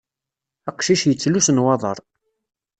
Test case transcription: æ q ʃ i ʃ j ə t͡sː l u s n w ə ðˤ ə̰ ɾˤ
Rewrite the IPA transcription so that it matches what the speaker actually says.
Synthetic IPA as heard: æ q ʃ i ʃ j ə t͡sː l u s n w ɑ ðˤ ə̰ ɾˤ

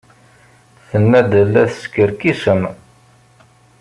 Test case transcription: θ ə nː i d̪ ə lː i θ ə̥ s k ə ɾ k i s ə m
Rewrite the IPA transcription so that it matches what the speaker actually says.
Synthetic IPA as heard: θ ə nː æ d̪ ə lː æ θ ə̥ s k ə ɾ k i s ə m

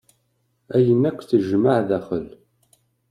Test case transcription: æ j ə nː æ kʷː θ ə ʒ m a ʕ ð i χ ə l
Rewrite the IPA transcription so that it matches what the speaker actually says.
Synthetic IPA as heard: æ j ə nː æ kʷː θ ə ʒ m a ʕ ð æ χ ə l

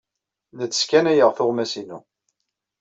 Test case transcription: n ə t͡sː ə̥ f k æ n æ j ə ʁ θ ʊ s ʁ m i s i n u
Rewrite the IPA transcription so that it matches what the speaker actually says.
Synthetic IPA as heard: n ə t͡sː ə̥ s k æ n æ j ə ʁ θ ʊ ʁ m æ s i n u

